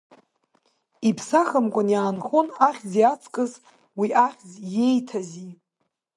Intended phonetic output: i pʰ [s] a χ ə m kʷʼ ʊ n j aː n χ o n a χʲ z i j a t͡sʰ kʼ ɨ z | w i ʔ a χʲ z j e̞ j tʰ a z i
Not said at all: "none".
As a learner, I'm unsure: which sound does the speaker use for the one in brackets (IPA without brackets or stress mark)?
s